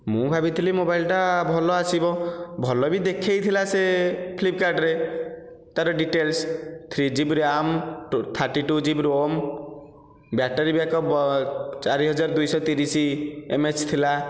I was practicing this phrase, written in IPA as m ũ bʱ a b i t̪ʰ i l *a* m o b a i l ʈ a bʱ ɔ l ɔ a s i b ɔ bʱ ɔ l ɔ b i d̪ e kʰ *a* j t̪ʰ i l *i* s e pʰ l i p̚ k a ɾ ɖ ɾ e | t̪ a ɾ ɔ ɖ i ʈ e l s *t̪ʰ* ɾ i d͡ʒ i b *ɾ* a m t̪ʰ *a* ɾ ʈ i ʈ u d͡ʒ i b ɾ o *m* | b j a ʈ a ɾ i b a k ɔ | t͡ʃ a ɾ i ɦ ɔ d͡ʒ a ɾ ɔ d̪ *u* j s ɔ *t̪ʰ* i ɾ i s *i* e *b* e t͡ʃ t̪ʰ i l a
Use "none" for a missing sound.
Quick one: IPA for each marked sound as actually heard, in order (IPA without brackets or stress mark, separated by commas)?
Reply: i, e, a, t̪ʰ, ɾ, a, m, u, t̪, i, m